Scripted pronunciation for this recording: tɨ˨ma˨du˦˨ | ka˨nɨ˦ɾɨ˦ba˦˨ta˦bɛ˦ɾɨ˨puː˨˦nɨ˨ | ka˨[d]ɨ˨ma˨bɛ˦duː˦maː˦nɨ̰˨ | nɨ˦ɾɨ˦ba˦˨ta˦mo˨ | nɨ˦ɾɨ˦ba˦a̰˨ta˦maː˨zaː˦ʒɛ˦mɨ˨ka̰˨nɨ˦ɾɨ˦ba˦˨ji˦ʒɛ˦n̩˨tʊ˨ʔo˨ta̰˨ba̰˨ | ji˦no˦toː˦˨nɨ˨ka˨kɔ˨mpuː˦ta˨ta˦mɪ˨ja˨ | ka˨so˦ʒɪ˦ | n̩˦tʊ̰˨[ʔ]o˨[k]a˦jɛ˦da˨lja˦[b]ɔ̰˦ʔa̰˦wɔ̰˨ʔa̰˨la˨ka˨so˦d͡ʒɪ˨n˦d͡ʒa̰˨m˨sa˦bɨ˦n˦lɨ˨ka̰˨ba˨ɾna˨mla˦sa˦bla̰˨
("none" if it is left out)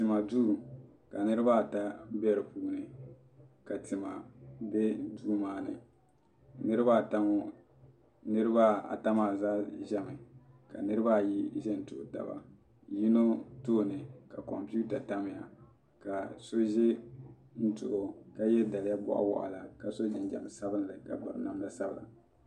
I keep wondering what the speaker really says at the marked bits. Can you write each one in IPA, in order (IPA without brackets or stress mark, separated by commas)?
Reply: t, ʔ, k, b